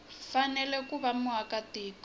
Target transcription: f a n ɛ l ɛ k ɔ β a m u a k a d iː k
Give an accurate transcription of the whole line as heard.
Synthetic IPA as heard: f a n ɛ l ɛ k u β a m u a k a t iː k